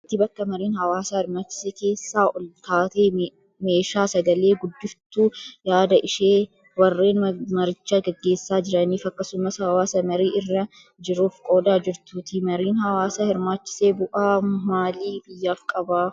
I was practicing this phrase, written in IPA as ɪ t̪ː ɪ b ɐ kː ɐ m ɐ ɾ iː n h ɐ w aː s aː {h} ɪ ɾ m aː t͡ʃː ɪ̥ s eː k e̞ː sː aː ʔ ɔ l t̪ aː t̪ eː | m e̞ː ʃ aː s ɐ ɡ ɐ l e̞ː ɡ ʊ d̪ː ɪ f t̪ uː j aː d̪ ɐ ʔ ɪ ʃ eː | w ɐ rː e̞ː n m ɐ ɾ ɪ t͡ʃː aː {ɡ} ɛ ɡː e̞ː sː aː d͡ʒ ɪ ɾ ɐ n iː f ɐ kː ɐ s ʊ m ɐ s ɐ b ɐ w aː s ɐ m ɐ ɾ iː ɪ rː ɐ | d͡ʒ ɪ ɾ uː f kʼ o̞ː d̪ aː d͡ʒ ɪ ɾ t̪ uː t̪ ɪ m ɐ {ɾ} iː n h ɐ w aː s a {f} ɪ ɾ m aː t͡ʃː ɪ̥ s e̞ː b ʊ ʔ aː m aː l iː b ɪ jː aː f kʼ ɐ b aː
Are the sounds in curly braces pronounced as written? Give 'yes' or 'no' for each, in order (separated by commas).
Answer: yes, yes, yes, no